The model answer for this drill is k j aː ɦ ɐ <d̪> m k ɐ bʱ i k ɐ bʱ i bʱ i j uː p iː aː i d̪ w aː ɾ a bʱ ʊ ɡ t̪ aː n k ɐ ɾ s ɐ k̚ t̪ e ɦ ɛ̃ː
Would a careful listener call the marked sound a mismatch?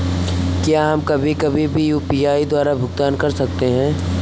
yes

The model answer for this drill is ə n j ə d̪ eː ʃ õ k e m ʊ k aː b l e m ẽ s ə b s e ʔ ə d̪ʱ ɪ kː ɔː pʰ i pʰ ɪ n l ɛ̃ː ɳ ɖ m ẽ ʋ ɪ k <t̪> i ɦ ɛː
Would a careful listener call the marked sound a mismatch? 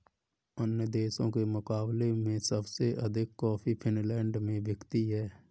no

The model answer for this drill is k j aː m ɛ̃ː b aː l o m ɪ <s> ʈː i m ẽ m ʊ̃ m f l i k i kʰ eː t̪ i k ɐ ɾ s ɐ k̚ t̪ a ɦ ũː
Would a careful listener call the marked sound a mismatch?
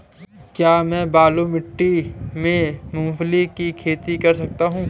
yes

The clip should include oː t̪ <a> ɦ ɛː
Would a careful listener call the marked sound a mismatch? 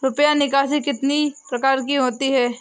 yes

